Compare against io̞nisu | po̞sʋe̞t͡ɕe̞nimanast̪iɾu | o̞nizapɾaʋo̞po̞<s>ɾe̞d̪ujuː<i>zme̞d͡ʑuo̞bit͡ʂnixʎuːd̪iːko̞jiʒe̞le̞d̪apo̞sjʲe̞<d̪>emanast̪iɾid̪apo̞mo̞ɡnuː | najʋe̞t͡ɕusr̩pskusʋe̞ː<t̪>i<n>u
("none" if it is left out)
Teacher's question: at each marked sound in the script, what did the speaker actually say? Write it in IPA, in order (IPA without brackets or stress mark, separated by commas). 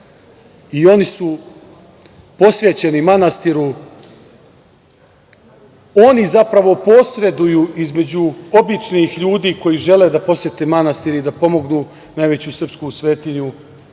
s, i, t̪, t̪, ɲ